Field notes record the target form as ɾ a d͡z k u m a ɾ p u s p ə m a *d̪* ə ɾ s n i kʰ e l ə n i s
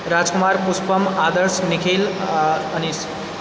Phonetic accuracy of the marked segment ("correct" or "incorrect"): correct